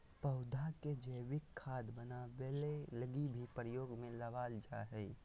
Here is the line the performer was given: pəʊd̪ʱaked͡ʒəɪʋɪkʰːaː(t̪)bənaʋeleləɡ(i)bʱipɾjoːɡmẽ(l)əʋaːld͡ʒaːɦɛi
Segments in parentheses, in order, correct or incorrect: incorrect, correct, correct

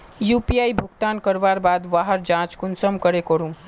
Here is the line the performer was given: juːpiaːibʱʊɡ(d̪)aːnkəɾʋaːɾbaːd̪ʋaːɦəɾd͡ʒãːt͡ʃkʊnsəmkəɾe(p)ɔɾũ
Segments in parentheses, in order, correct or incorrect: incorrect, incorrect

